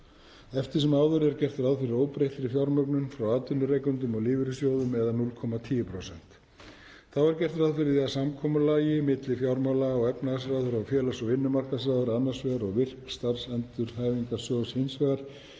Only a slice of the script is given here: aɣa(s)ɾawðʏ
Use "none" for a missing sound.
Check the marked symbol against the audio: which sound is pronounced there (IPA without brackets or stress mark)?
s